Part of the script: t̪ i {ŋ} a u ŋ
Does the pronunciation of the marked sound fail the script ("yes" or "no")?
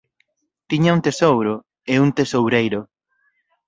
yes